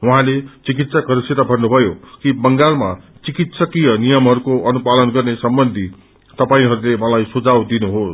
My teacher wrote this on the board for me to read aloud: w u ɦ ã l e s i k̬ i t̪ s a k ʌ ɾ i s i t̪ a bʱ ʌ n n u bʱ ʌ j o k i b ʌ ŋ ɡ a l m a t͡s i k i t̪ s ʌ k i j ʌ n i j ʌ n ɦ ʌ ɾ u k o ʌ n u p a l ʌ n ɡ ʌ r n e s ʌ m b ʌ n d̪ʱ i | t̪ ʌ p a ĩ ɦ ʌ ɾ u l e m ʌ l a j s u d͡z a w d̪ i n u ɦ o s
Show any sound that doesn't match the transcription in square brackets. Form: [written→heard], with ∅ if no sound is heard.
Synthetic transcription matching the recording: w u ɦ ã l e [s→t͡s] i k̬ i t̪ s a k ʌ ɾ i s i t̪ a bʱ ʌ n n u bʱ ʌ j o k i b ʌ ŋ ɡ a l m a t͡s i k i t̪ s ʌ k i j ʌ n i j ʌ [n→m] ɦ ʌ ɾ u k o ʌ n u p a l ʌ n ɡ ʌ r n e s ʌ m b ʌ n d̪ʱ i | t̪ ʌ p a ĩ ɦ ʌ ɾ u l e m ʌ l a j s u d͡z a w d̪ i n u ɦ o s